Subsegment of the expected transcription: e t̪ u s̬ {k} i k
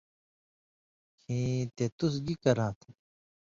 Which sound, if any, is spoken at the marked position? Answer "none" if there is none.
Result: ɡ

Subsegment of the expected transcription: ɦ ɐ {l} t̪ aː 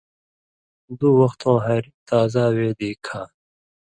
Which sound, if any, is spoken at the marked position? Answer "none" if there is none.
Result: ɾ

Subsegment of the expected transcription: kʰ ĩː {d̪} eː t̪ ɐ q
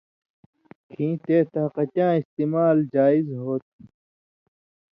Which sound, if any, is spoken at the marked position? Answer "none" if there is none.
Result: t̪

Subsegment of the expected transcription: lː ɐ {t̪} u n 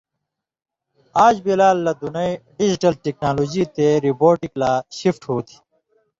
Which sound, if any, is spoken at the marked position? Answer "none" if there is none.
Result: d̪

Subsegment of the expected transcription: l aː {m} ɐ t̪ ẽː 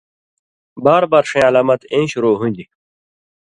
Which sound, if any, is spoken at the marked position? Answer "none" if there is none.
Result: m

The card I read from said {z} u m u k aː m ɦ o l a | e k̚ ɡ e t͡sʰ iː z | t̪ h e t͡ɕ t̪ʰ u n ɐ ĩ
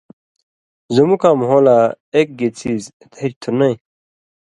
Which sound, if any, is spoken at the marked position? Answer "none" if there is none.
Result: z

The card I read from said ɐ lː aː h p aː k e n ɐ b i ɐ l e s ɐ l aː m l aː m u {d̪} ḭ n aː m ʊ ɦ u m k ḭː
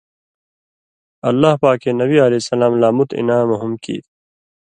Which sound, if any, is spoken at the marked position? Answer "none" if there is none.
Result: t̪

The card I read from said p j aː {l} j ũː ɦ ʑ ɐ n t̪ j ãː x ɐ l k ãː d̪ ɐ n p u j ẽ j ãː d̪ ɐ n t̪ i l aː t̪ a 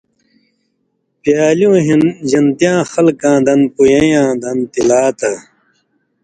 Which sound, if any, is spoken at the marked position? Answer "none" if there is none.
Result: l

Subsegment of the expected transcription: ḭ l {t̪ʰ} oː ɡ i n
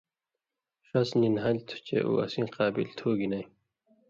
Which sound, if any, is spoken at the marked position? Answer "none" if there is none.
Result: t̪ʰ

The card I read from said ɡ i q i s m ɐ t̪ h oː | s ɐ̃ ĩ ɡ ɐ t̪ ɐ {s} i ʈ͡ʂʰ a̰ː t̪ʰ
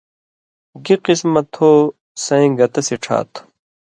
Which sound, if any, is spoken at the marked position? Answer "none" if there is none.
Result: s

